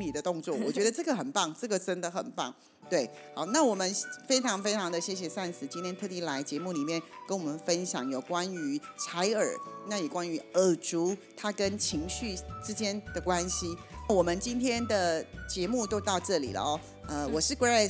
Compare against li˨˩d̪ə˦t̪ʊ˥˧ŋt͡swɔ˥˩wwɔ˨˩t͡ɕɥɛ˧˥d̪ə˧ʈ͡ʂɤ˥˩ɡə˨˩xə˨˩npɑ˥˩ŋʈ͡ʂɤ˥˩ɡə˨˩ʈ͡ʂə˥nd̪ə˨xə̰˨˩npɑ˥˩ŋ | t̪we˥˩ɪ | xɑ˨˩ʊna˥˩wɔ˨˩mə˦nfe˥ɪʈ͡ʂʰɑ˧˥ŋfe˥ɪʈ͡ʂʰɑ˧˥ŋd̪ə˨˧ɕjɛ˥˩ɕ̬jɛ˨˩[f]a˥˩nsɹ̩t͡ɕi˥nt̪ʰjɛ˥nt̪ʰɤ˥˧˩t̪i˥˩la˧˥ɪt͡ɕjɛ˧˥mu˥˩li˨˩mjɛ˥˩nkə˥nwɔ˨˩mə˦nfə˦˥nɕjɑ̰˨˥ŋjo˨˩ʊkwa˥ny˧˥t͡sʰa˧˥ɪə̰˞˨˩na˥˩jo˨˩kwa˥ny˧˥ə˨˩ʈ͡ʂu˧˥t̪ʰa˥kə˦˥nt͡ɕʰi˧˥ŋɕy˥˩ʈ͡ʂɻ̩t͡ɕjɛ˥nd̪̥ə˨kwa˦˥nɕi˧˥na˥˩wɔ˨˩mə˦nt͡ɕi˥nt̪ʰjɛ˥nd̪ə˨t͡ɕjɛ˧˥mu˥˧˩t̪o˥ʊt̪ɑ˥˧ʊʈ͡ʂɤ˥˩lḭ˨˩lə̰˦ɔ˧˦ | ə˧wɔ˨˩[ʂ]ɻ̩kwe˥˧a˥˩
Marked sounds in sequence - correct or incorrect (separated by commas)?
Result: incorrect, correct